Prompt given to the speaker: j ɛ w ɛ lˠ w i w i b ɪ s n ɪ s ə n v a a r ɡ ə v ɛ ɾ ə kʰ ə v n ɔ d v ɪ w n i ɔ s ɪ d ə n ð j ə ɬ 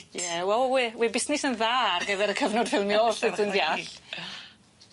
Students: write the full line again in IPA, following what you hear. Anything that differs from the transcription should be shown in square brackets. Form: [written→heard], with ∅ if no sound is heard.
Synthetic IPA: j ɛ w ɛ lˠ w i w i b ɪ s n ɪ s ə n [v→ð] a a r ɡ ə v ɛ ɾ ə kʰ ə v n ɔ d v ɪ w n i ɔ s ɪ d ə n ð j [ə→a] ɬ